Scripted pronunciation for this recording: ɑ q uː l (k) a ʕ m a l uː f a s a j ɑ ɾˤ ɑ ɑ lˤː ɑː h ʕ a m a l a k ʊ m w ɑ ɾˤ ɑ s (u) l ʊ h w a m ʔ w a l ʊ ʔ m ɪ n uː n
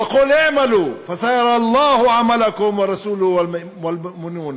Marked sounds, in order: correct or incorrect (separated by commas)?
incorrect, incorrect